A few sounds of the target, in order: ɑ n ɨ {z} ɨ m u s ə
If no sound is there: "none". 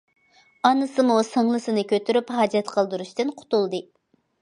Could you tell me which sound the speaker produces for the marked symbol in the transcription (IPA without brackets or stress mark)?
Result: s